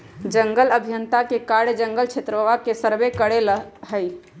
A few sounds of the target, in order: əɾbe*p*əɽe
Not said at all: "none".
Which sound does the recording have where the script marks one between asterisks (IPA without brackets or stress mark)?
k